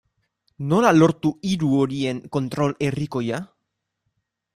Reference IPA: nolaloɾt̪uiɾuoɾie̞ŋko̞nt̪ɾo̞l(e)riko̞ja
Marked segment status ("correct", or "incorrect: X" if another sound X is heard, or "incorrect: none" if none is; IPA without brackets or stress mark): correct